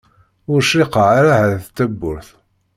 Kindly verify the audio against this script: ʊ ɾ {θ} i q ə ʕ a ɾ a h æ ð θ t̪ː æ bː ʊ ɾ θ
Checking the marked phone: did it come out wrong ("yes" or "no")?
yes